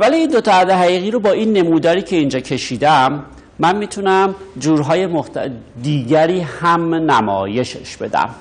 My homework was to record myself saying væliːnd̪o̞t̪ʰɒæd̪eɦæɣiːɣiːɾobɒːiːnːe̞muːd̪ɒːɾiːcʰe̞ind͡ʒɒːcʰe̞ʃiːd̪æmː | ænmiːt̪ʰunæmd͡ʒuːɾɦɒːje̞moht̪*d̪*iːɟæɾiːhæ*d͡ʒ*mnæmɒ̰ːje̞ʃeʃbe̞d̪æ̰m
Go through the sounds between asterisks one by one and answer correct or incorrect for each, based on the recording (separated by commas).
correct, incorrect